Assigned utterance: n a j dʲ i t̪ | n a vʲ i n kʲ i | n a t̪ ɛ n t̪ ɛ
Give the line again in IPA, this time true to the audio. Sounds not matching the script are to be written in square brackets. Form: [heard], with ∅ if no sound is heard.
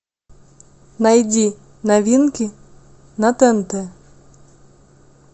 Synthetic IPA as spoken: n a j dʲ i [∅] | n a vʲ i n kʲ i | n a t̪ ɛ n t̪ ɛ